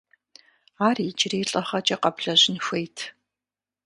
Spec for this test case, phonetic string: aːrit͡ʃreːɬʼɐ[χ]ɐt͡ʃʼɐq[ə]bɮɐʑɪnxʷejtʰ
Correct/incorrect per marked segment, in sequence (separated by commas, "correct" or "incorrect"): correct, incorrect